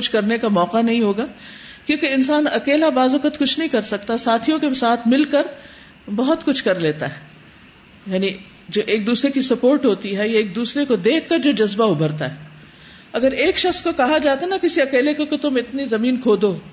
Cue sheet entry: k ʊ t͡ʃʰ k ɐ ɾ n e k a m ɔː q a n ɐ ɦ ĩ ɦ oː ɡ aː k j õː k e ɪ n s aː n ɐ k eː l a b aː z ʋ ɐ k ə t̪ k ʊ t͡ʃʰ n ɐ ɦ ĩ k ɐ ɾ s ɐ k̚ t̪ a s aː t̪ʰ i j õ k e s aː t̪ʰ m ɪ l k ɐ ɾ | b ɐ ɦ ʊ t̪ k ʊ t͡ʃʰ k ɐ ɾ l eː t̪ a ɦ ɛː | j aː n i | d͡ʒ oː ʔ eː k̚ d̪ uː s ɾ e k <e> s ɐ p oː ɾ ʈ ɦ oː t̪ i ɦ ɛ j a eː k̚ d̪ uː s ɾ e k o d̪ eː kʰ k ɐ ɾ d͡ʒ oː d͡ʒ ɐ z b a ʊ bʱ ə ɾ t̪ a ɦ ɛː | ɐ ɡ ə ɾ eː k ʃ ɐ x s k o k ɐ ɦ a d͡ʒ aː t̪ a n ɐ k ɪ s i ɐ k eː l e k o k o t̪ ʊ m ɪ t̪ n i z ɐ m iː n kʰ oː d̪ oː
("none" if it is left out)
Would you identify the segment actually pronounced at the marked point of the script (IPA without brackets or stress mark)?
i